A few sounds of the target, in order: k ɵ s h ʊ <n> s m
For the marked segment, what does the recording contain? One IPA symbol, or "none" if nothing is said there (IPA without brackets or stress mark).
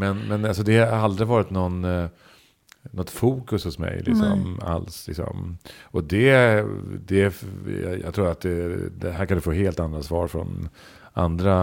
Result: none